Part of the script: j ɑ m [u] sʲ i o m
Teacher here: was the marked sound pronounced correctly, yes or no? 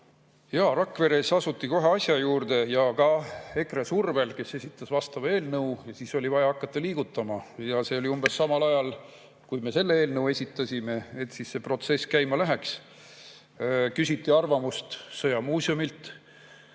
no